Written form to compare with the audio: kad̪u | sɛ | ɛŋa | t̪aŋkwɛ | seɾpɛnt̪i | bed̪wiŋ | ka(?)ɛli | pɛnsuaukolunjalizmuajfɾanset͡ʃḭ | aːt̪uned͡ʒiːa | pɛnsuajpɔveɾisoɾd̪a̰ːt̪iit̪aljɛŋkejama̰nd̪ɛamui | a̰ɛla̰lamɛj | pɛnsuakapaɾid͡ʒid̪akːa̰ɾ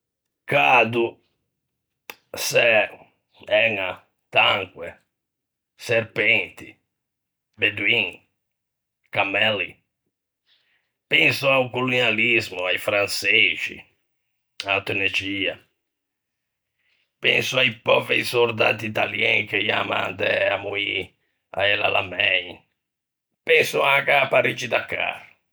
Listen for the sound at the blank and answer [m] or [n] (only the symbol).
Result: m